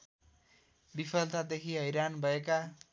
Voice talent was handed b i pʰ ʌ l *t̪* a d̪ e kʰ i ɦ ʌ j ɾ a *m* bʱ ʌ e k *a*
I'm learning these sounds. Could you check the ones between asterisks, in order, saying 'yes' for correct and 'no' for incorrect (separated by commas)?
yes, no, yes